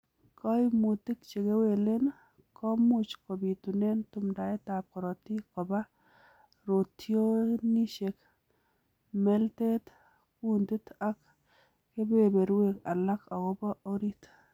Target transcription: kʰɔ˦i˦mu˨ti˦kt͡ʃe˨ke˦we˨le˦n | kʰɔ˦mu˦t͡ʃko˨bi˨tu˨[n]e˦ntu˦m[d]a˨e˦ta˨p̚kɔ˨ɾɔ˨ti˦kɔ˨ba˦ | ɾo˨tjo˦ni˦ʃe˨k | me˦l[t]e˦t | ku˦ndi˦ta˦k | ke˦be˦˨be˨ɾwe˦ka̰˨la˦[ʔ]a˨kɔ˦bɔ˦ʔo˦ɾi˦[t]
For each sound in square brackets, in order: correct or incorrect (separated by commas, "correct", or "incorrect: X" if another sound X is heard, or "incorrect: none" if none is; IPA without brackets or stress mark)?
correct, correct, correct, incorrect: k, correct